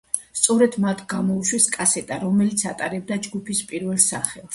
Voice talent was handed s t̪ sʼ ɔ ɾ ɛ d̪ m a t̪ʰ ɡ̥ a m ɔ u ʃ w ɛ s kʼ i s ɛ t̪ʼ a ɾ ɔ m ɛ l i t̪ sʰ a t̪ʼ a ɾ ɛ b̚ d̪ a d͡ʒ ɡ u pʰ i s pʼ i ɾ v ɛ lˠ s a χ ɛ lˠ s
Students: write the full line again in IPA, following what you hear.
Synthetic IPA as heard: s t̪ sʼ ɔ ɾ ɛ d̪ m a t̪ʰ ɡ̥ a m ɔ u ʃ w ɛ s kʼ a s ɛ t̪ʼ a ɾ ɔ m ɛ l i t̪ sʰ a t̪ʼ a ɾ ɛ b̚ d̪ a d͡ʒ ɡ u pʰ i s pʼ i ɾ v ɛ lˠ s a χ ɛ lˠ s